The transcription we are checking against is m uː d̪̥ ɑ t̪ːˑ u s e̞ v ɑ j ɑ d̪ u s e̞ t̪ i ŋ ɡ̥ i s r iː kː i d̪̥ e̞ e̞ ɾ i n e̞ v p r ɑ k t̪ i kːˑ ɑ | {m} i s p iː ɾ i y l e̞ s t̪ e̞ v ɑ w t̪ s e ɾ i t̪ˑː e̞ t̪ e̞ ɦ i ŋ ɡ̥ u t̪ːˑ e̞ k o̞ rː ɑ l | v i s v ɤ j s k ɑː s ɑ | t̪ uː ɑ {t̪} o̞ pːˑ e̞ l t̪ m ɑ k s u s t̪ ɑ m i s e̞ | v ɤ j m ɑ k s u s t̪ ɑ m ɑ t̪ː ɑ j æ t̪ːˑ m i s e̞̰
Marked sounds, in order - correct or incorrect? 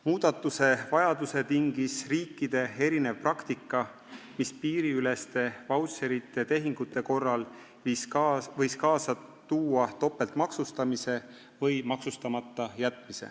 correct, correct

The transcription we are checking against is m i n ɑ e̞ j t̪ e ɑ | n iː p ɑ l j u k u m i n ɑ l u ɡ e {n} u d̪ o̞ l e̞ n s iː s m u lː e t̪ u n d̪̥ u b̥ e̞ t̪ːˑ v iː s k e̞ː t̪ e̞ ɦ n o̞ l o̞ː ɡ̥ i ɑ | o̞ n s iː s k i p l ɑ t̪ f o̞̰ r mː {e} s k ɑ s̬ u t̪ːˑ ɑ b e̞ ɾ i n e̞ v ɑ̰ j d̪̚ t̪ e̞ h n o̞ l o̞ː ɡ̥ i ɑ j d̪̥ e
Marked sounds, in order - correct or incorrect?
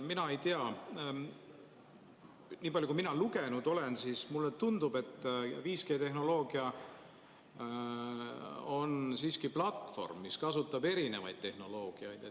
correct, incorrect: i

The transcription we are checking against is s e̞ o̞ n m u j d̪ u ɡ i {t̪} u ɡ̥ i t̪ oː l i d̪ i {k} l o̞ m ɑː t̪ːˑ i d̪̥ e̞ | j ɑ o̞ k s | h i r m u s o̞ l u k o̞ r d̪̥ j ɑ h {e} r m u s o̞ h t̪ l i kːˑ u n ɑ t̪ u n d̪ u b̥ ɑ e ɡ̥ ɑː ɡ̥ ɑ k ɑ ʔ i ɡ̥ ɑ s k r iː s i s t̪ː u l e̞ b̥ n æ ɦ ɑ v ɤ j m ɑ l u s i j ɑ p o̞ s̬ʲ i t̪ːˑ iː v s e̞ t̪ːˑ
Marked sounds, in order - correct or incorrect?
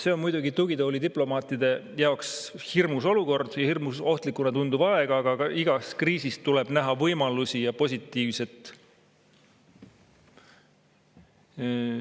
correct, incorrect: p, incorrect: i

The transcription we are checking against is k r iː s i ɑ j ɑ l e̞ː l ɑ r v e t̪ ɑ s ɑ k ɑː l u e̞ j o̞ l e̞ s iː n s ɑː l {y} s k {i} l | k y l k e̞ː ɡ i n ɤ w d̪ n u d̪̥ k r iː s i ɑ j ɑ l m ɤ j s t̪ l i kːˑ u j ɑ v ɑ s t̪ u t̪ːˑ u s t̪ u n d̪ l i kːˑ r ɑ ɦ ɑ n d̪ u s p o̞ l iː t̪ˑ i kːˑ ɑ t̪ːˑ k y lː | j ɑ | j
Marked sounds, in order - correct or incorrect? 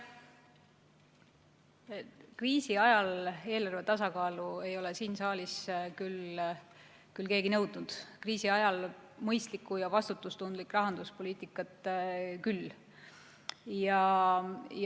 incorrect: i, incorrect: y

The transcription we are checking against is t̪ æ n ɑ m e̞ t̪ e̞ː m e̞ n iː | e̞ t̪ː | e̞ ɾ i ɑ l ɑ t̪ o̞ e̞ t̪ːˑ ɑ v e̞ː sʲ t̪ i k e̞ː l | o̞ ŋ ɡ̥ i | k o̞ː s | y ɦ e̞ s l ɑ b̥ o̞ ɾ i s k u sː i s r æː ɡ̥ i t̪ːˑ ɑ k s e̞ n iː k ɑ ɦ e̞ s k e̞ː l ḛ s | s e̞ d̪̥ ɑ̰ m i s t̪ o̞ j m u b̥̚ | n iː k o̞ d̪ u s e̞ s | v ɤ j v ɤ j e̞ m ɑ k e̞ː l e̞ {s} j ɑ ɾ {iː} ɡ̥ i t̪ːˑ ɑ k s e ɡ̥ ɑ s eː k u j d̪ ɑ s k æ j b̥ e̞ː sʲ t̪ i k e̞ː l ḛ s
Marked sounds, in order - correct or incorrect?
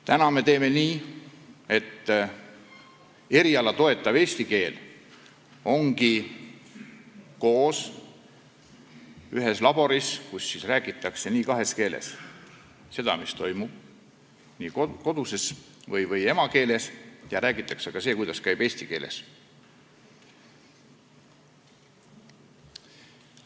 correct, incorrect: æː

